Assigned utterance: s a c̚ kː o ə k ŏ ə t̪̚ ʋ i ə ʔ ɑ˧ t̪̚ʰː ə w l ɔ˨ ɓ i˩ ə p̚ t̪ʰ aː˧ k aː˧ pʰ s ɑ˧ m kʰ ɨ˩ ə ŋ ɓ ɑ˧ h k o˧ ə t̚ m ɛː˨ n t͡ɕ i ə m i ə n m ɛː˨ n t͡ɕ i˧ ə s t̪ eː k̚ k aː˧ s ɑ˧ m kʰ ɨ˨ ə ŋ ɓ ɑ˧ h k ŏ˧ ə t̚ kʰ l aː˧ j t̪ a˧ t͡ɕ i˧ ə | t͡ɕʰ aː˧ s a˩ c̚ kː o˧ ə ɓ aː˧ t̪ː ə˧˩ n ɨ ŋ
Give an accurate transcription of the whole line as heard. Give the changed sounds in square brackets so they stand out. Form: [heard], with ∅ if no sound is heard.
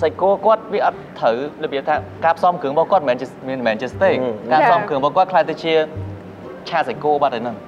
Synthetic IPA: s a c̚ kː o ə k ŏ ə t̪̚ ʋ i ə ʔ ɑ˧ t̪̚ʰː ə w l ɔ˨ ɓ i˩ ə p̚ t̪ʰ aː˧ k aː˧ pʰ s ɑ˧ m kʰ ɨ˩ ə ŋ ɓ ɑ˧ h k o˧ ə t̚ m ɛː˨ n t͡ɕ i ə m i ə n m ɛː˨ n t͡ɕ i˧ ə s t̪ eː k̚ k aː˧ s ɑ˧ m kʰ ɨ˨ ə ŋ ɓ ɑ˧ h k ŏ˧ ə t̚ kʰ l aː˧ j t̪ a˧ t͡ɕ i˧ ə | t͡ɕʰ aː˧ s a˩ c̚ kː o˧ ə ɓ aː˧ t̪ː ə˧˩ n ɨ ŋ